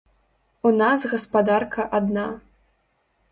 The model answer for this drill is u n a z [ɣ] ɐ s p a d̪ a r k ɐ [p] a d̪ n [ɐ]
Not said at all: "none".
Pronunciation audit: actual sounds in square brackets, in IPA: ɣ, ʔ, a

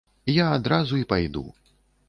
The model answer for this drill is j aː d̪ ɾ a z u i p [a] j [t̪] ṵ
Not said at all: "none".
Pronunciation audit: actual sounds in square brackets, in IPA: a, d̪

